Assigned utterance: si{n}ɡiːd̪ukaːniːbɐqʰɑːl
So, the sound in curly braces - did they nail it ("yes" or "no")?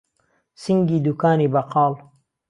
no